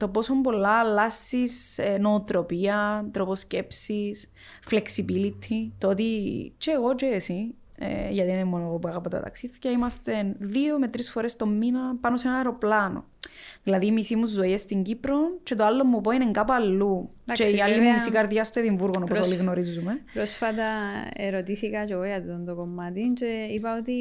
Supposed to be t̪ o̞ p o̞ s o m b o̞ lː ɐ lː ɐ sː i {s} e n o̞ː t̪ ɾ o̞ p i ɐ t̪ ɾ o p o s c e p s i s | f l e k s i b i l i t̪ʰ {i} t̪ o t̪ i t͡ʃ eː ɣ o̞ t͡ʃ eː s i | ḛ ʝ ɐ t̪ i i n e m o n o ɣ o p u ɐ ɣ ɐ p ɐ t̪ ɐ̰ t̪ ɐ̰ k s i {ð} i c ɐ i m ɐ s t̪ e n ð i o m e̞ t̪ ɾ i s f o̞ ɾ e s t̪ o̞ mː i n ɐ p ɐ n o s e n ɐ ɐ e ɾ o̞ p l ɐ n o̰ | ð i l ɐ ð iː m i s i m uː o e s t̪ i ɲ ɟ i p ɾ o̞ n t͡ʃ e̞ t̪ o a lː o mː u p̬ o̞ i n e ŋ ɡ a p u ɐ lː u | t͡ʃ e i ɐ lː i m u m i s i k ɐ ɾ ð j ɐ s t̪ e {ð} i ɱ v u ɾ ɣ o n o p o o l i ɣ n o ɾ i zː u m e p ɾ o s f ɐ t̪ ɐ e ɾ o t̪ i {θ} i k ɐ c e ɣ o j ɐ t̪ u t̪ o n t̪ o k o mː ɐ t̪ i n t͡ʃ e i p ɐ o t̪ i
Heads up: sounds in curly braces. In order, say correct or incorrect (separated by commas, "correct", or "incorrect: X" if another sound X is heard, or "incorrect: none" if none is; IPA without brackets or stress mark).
correct, correct, incorrect: θ, correct, correct